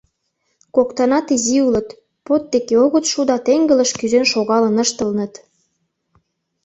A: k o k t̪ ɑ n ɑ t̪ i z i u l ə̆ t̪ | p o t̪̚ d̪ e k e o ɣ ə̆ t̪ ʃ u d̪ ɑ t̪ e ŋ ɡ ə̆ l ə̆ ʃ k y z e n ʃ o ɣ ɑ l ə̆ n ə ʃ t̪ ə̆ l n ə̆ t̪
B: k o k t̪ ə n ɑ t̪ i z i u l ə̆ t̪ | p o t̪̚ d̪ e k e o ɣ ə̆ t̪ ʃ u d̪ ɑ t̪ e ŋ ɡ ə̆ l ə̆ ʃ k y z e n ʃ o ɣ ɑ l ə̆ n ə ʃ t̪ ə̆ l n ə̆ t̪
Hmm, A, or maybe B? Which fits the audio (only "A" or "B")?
A